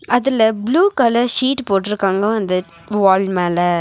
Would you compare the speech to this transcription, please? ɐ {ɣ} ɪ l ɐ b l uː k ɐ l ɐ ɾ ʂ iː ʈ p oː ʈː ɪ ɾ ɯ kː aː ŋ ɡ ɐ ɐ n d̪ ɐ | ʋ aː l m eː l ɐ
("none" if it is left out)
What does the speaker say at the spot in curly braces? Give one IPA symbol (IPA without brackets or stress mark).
ð